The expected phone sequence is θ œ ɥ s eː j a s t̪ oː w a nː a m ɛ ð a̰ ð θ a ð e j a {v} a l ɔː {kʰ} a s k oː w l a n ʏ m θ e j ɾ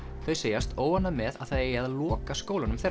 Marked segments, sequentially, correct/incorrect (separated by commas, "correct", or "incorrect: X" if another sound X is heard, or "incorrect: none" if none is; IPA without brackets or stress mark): incorrect: ð, incorrect: k